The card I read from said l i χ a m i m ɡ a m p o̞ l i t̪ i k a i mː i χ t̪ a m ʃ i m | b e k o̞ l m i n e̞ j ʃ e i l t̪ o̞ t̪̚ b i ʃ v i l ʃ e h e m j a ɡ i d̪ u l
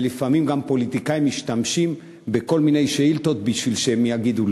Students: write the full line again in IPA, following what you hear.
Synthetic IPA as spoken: l i f a m i m ɡ a m p o̞ l i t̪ i k a i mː i ʃ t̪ a m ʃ i m | b e k o̞ l m i n e̞ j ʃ e i l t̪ o̞ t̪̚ b i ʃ v i l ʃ e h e m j a ɡ i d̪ u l